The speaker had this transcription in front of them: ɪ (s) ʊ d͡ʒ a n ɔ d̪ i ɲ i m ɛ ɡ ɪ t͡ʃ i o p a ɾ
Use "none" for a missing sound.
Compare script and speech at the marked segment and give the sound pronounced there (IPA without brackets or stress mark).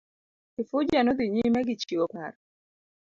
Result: f